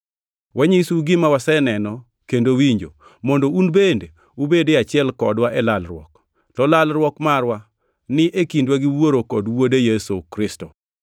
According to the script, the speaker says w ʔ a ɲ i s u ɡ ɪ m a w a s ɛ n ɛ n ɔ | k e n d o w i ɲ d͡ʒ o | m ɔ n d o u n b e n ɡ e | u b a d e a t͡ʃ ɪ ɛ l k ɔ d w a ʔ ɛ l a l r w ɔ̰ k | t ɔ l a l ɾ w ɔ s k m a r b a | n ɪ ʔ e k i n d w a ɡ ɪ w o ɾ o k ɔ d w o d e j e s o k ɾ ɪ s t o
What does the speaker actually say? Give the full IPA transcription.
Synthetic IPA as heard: w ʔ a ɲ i s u ɡ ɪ m a w a s ɛ n ɛ n ɔ | k e n d o w i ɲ d͡ʒ o | m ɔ n d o u n b e n d e | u b e d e a t͡ʃ ɪ ɛ l k ɔ d w a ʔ ɛ l a l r w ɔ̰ k | t ɔ l a l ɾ w ɔ k m a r w a | n ɪ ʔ e k i n d w a ɡ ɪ w o ɾ o k ɔ d w o d e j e s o k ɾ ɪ s t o

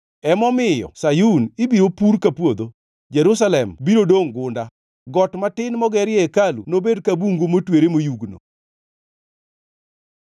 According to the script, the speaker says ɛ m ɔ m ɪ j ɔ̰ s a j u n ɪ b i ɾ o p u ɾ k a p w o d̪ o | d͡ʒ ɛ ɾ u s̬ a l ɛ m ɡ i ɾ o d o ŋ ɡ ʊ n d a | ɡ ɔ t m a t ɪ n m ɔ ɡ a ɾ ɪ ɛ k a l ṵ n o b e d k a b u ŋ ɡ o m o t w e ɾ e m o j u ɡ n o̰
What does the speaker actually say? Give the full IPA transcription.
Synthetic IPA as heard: ɛ m ɔ m ɪ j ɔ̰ s a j u n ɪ b i ɾ o p u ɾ k a p w o d̪ o | d͡ʒ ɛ ɾ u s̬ a l ɛ m b i ɾ o d o ŋ ɡ ʊ n d a | ɡ ɔ t m a t ɪ n m ɔ ɡ ɛ ɾ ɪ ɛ k a l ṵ n o b e d k a b u ŋ ɡ o m o t w e ɾ e m o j u ɡ n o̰

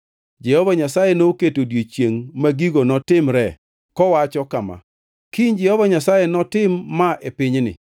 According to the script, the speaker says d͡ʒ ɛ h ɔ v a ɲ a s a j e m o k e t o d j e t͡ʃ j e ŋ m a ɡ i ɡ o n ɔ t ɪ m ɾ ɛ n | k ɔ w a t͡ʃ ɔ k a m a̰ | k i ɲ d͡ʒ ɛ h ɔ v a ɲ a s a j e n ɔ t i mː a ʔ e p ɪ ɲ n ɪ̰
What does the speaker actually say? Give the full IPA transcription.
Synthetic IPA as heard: d͡ʒ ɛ h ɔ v a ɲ a s a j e n o k e t o d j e t͡ʃ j e ŋ m a ɡ i ɡ o n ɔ t ɪ m ɾ ɛ | k ɔ w a t͡ʃ ɔ k a m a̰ | k i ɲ d͡ʒ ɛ h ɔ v a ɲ a s a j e n ɔ t ɪ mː a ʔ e p ɪ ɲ n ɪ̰

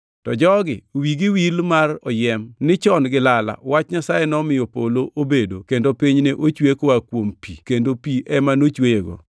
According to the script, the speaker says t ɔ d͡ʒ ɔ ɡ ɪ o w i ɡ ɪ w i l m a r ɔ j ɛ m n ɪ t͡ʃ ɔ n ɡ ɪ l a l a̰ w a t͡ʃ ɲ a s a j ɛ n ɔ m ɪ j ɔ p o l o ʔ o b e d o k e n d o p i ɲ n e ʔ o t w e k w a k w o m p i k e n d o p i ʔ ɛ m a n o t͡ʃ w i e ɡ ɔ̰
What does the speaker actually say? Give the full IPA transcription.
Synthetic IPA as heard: t ɔ d͡ʒ ɔ ɡ ɪ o w i ɡ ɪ w i l m a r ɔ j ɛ m n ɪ t͡ʃ ɔ n ɡ ɪ l a l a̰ w a t͡ʃ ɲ a s a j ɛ n ɔ m ɪ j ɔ p o l o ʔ o b e d o k e n d o p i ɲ n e ʔ o t͡ʃ w e k w a k w o m p i k e n d o p i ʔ ɛ m a n o t͡ʃ w e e ɡ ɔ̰

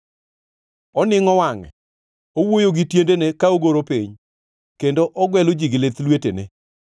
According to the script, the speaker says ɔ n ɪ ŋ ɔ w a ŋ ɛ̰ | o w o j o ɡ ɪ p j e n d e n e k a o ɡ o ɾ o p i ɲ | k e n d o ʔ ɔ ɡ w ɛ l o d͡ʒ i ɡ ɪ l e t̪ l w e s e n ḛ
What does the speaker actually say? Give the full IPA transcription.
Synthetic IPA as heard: ɔ n ɪ ŋ ɔ w a ŋ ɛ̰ | o w o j o ɡ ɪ t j e n d e n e k a o ɡ o ɾ o p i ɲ | k e n d o ʔ ɔ ɡ w ɛ l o d͡ʒ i ɡ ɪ l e t̪ l w e t e n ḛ

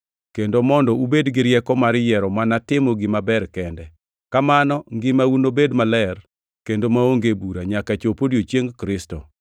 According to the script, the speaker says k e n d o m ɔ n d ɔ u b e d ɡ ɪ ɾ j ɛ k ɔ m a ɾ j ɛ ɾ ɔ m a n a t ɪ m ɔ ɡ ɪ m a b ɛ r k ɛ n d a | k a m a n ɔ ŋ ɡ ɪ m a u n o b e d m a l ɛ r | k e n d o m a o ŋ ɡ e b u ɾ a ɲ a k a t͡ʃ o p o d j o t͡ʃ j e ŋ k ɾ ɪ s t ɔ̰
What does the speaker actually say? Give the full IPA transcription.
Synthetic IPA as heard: k e n d o m ɔ n d ɔ u b e d ɡ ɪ ɾ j ɛ k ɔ m a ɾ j ɛ ɾ ɔ m a n a t ɪ m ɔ ɡ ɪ m a b ɛ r k ɛ n d ɛ | k a m a n ɔ ŋ ɡ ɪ m a u n o b e d m a l ɛ r | k e n d o m a o ŋ ɡ e b u ɾ a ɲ a k a t͡ʃ o p o d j o t͡ʃ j e ŋ k ɾ ɪ s t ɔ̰

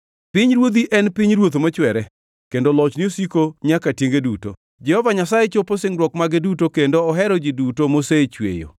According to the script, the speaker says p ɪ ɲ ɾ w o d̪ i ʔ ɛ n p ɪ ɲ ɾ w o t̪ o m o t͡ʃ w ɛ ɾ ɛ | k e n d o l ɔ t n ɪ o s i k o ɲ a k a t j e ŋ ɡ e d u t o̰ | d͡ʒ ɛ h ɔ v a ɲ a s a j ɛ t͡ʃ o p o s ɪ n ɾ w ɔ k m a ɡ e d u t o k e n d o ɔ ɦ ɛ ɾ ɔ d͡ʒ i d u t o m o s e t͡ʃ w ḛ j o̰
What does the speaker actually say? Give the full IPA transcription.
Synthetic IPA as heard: p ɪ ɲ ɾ w o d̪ i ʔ ɛ n p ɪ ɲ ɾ w o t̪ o m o t͡ʃ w ɛ ɾ ɛ | k e n d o l ɔ t͡ʃ n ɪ o s i k o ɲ a k a t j e ŋ ɡ e d u t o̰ | d͡ʒ ɛ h ɔ v a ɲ a s a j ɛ t͡ʃ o p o s ɪ ŋ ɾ w ɔ k m a ɡ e d u t o k e n d o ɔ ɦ ɛ ɾ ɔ d͡ʒ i d u t o m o s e t͡ʃ w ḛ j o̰

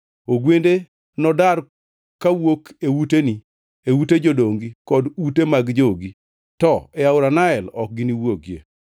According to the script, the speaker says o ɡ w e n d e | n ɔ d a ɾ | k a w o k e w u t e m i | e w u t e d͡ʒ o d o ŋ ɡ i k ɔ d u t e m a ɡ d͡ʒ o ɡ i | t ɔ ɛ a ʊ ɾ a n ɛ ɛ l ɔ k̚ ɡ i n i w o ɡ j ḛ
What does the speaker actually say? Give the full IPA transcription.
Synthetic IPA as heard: o ɡ w e n d e | n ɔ d a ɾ | k a w o k e w u t e n i | e w u t e d͡ʒ o d o ŋ ɡ i k ɔ d u t e m a ɡ d͡ʒ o ɡ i | t ɔ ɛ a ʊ ɾ a n a ɛ l ɔ k̚ ɡ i n i w o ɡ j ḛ

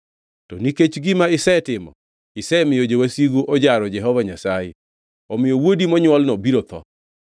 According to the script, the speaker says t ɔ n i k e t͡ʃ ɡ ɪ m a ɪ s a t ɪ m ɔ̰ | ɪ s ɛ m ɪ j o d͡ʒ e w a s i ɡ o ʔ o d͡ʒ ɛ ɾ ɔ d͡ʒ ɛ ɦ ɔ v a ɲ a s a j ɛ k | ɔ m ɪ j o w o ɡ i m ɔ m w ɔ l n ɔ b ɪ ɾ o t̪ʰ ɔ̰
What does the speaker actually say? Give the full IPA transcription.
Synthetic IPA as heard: t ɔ n i k e t͡ʃ ɡ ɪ m a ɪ s ɛ t ɪ m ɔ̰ | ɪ s ɛ m ɪ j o d͡ʒ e w a s i ɡ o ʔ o d͡ʒ a ɾ ɔ d͡ʒ ɛ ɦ ɔ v a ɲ a s a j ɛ | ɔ m ɪ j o w o d i m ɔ ɲ w ɔ l n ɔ b i ɾ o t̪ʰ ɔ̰

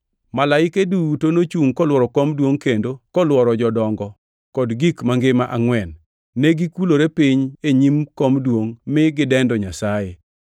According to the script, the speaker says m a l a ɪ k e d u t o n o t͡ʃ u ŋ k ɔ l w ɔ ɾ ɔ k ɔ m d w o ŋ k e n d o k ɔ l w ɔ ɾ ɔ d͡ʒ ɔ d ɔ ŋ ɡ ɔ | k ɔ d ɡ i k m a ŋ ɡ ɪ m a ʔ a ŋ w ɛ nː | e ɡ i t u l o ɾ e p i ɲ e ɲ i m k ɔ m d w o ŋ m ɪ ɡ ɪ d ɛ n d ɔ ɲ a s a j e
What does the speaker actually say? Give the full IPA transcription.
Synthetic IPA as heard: m a l a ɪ k e d u t o n o t͡ʃ u ŋ k ɔ l w ɔ ɾ ɔ k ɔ m d w o ŋ k e n d o k ɔ l w ɔ ɾ ɔ d͡ʒ ɔ d ɔ ŋ ɡ ɔ | k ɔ d ɡ i k m a ŋ ɡ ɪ m a ʔ a ŋ w ɛ nː | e ɡ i k u l o ɾ e p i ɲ e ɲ i m k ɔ m d w o ŋ m ɪ ɡ ɪ d ɛ n d ɔ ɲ a s a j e

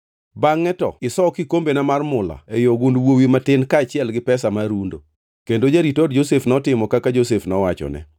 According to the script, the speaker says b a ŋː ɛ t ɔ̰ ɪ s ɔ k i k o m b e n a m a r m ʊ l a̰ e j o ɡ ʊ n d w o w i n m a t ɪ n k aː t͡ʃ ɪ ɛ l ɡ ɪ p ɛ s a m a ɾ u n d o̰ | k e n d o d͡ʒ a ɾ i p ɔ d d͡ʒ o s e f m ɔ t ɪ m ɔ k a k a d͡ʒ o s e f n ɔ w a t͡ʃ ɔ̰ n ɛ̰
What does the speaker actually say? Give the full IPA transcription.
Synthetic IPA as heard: b a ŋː ɛ t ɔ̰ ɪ s ɔ k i k o m b e n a m a r m ʊ l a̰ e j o ɡ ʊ n d w o w i m a t ɪ n k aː t͡ʃ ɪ ɛ l ɡ ɪ p ɛ s a m a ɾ u n d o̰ | k e n d o d͡ʒ a ɾ i t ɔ d d͡ʒ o s e f n ɔ t ɪ m ɔ k a k a d͡ʒ o s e f n ɔ w a t͡ʃ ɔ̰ n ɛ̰

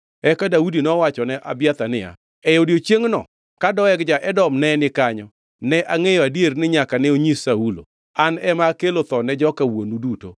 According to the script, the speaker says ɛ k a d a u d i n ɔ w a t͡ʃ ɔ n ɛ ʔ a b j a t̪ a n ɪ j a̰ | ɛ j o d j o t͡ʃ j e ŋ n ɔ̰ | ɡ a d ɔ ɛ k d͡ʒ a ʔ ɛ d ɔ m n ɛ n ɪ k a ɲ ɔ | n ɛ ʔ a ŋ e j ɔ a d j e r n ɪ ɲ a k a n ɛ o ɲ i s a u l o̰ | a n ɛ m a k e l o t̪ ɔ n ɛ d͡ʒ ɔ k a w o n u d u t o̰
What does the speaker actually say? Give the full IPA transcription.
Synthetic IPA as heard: ɛ k a d a u d i n ɔ w a t͡ʃ ɔ n ɛ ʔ a b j a t̪ a n ɪ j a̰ | ɛ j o d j o t͡ʃ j e ŋ n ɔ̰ | k a d ɔ ɛ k d͡ʒ a ʔ ɛ d ɔ m n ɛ n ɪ k a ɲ ɔ | n ɛ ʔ a ŋ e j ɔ a d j e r n ɪ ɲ a k a n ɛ o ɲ i s a u l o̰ | a n ɛ m a k e l o t̪ ɔ n ɛ d͡ʒ ɔ k a w o n u d u t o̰

